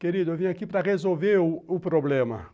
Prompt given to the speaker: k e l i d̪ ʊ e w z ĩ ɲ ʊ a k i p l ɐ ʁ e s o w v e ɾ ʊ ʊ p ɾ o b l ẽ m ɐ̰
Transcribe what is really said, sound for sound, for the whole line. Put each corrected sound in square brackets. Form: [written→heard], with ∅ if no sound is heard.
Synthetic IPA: k e [l→ɾ] i d̪ ʊ e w [z→v] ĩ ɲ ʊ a k i p [l→ɾ] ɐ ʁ e [s→z] o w v e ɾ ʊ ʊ p ɾ o b l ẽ m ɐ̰